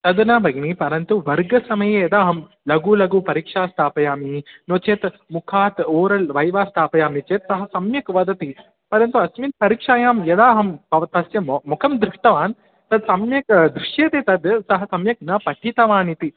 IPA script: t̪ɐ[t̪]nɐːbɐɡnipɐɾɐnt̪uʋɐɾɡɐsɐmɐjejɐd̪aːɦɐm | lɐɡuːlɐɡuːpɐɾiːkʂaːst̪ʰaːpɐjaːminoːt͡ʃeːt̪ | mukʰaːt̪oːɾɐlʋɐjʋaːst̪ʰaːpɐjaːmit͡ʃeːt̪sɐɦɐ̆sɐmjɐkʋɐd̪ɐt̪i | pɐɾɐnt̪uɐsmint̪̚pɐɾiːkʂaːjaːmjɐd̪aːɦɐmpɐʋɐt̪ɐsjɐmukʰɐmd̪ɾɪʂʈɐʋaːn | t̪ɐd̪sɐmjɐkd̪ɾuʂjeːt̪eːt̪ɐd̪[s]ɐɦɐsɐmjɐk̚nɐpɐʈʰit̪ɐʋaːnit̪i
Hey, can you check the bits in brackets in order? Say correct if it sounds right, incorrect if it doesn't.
incorrect, correct

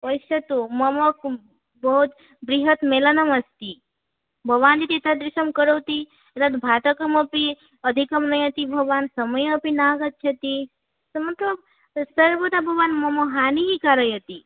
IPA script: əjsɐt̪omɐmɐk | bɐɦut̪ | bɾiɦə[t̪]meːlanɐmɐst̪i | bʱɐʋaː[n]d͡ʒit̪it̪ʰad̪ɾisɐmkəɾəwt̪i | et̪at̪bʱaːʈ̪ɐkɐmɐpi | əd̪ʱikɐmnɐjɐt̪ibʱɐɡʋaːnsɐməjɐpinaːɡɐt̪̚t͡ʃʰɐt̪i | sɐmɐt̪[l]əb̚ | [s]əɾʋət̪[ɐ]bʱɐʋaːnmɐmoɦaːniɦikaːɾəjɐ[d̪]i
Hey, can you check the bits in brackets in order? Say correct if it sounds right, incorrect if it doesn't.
correct, correct, correct, correct, incorrect, incorrect

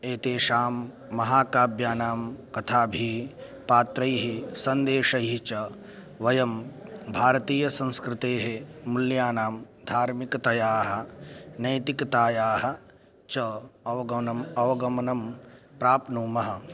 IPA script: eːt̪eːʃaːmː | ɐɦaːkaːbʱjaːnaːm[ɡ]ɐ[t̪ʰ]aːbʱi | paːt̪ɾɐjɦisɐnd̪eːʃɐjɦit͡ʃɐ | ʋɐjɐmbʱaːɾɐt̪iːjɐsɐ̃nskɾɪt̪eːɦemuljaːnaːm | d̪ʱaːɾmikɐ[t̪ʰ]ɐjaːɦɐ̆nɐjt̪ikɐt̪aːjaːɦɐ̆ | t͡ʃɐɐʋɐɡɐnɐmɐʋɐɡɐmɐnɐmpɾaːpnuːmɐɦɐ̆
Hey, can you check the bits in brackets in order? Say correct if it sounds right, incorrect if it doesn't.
incorrect, correct, incorrect

